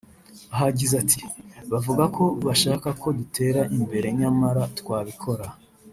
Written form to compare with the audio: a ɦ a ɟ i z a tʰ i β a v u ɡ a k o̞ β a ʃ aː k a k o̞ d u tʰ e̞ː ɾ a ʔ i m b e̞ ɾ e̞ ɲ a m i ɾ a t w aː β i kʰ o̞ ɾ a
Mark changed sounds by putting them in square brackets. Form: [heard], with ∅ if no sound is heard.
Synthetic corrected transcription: a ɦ a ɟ i z a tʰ i β a v u ɡ a k o̞ β a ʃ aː k a k o̞ d u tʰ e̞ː ɾ a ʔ i m b e̞ ɾ e̞ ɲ a m [a] ɾ a t w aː β i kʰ o̞ ɾ a